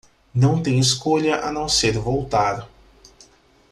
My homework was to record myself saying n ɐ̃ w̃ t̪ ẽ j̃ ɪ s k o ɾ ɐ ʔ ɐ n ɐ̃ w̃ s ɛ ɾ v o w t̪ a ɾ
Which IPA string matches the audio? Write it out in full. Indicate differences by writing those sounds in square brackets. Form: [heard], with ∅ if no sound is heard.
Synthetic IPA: n ɐ̃ w̃ t̪ ẽ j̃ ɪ s k o [ʎ] ɐ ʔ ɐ n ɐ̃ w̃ s [e] ɾ v o w t̪ a ɾ